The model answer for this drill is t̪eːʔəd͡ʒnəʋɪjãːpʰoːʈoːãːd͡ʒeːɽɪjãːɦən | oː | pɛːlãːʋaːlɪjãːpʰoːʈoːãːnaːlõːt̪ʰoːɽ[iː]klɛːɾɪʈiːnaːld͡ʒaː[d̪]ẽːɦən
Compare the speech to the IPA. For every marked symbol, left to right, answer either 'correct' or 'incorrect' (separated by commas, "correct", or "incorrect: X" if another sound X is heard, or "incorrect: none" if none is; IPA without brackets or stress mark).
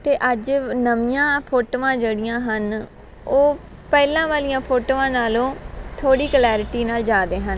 correct, correct